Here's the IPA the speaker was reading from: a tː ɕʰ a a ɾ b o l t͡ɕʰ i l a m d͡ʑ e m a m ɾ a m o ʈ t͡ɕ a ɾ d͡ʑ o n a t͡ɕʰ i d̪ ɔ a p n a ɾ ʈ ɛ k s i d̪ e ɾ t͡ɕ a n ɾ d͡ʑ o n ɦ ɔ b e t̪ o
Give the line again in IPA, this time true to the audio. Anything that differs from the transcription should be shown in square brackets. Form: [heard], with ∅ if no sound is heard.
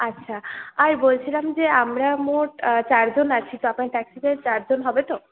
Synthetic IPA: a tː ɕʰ a a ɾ b o l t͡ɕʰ i l a m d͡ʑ e [∅] a m ɾ a m o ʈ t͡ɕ a ɾ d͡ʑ o n a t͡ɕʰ i [t̪] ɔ a p n a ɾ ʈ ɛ k s i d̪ e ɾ t͡ɕ a [∅] ɾ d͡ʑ o n ɦ ɔ b e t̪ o